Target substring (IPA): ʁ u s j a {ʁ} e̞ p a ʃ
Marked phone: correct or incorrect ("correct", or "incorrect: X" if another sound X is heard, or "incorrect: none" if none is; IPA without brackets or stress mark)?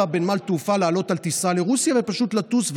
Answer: incorrect: v